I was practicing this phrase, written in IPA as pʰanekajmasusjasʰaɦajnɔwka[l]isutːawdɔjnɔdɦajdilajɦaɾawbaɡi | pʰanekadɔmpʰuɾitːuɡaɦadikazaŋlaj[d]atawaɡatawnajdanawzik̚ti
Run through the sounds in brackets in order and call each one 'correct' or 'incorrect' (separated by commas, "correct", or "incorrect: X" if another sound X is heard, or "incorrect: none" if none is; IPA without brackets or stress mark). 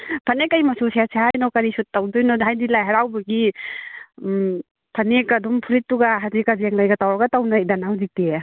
incorrect: ɾ, incorrect: ɡ